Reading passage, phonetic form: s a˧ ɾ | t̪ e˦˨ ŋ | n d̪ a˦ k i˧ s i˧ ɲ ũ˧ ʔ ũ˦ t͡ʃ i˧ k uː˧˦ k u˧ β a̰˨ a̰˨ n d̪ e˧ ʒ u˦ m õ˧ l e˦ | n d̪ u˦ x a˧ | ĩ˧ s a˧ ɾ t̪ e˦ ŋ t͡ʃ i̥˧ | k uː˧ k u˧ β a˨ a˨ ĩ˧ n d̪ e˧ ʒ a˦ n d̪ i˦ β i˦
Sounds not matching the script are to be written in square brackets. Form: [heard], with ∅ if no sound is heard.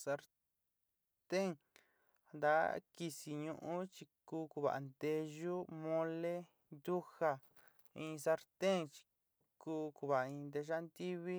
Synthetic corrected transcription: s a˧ ɾ | t̪ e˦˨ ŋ | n d̪ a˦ k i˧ s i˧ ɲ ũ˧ ʔ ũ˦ t͡ʃ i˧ k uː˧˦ k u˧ β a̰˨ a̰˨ n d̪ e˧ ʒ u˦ m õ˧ l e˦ | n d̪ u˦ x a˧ | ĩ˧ s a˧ ɾ t̪ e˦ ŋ t͡ʃ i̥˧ | k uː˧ k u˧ β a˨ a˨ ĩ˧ n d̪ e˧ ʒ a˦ n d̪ i˦ β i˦